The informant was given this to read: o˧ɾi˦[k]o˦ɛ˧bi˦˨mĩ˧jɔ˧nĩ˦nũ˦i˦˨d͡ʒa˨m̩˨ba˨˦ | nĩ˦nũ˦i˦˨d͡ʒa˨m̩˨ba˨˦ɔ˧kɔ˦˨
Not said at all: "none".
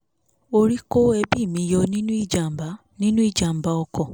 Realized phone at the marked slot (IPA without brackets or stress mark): k